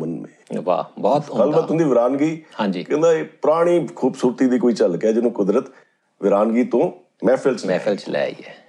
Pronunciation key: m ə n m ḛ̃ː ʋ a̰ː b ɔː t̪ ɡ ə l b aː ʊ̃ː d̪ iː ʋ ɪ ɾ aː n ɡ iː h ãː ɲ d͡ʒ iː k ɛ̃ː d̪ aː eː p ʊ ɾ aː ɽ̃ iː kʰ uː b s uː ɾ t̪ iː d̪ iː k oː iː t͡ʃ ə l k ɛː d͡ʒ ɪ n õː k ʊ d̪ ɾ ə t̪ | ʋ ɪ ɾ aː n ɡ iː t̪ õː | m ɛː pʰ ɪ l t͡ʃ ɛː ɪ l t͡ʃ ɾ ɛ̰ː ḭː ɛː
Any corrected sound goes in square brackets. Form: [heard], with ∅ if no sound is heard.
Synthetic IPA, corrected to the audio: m ə n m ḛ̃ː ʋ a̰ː b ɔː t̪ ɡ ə l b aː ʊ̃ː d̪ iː ʋ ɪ ɾ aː n ɡ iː h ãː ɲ d͡ʒ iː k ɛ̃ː d̪ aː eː p ʊ ɾ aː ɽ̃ iː kʰ uː b s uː ɾ t̪ iː d̪ iː k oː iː t͡ʃ ə l k ɛː d͡ʒ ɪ n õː k ʊ d̪ ɾ ə t̪ | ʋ ɪ ɾ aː n ɡ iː t̪ õː | m ɛː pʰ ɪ l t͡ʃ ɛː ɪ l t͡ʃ [l] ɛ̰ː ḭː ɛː